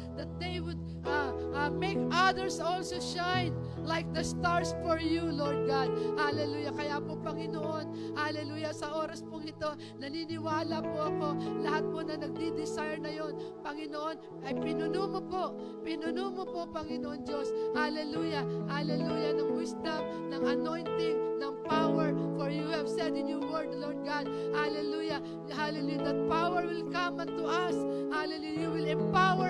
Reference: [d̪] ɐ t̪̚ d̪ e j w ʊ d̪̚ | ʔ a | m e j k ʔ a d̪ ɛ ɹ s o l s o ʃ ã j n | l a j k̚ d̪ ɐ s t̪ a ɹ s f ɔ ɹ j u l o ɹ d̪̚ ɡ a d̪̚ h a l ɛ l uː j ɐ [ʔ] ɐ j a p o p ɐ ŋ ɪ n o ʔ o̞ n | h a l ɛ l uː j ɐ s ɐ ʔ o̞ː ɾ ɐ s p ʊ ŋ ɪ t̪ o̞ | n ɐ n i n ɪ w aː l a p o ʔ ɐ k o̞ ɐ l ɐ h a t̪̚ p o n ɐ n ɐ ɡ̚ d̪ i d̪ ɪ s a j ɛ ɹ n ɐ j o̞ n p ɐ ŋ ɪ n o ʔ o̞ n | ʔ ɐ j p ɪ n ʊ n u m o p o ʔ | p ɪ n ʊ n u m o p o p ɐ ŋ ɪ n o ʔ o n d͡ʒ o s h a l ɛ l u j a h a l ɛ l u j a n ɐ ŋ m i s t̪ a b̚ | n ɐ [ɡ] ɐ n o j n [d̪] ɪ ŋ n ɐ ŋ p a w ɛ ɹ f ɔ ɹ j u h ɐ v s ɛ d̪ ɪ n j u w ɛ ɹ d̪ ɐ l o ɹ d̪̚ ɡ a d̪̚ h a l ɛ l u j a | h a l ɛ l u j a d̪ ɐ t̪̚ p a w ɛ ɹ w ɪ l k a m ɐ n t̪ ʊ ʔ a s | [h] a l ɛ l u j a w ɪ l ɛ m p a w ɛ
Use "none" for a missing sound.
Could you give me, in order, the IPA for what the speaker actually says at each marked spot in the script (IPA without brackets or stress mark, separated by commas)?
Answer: d̪, k, ŋ, t̪, h